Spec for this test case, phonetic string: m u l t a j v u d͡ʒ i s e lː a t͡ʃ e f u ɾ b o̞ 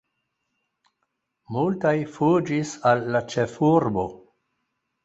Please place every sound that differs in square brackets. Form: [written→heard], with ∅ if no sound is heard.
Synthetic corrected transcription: m u l t a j [v→f] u d͡ʒ i s [e→a] lː a t͡ʃ e f u ɾ b o̞